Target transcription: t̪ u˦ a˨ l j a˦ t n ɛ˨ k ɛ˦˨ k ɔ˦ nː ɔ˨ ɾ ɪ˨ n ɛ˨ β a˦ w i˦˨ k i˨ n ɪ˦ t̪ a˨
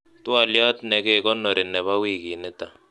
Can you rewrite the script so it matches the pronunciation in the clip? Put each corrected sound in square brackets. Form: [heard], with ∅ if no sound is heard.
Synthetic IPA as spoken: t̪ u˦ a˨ l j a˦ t n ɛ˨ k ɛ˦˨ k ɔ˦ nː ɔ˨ ɾ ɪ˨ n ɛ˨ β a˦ w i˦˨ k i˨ n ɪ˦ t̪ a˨